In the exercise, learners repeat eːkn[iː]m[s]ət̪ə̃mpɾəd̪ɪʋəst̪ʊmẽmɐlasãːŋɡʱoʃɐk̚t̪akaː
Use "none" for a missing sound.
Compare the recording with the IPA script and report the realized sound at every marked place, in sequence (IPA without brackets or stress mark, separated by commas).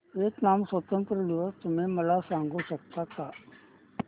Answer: aː, s